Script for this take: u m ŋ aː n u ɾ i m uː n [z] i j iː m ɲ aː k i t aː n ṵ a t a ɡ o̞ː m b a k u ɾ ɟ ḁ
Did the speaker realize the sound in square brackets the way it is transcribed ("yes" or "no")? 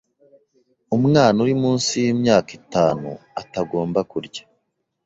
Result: no